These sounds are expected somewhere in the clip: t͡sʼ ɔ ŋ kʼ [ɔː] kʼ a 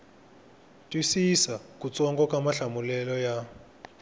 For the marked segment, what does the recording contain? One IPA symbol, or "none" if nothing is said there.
ɔ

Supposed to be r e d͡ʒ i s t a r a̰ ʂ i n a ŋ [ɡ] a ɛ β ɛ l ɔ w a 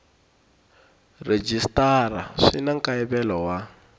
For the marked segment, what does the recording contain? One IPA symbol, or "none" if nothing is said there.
k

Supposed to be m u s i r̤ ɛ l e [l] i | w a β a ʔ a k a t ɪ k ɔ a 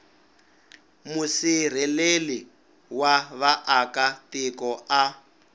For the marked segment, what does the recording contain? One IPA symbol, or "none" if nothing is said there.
l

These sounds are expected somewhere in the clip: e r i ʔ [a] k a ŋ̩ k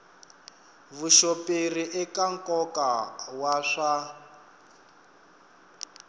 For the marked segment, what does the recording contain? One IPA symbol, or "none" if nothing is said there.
ɛ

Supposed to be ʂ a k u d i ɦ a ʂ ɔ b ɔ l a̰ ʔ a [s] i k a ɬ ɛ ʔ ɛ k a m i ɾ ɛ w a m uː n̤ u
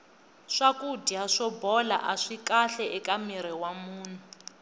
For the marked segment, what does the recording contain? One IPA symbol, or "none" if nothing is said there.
ʂ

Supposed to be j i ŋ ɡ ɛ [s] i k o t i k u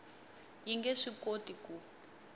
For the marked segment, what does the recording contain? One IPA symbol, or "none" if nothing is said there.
ʂ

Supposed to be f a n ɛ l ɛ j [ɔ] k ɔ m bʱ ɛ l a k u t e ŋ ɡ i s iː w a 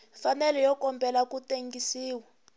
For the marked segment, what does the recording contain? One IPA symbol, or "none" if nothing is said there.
ɔ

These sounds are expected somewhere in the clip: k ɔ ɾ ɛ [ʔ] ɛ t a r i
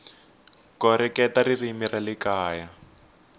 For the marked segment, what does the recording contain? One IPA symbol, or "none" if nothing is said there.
k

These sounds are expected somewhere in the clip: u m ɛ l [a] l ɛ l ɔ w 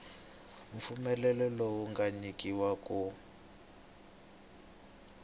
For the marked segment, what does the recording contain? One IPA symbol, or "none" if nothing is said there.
ɛ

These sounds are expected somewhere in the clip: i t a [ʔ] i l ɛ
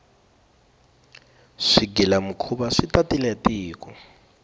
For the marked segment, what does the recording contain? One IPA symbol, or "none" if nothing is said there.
t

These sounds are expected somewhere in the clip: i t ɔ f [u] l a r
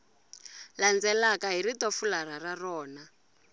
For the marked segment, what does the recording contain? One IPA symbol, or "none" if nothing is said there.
u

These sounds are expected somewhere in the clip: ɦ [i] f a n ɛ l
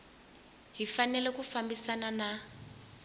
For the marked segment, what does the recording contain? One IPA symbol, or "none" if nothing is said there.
i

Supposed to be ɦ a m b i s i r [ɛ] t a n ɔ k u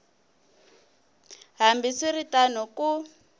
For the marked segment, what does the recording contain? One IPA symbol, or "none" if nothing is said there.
i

